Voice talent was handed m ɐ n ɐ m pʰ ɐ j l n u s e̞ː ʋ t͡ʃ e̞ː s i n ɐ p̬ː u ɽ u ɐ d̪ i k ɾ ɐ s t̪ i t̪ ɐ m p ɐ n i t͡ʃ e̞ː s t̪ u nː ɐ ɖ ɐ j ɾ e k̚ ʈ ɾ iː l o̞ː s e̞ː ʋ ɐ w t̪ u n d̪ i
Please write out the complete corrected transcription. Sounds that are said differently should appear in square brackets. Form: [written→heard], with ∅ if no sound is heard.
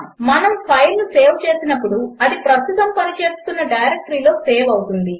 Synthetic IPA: m ɐ n ɐ m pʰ ɐ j l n u s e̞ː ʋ t͡ʃ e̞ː s i n ɐ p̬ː u ɽ u ɐ d̪ i [k→p] ɾ ɐ s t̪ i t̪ ɐ m p ɐ n i t͡ʃ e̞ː s t̪ u nː ɐ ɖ ɐ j ɾ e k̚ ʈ ɾ iː l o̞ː s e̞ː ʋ ɐ w t̪ u n d̪ i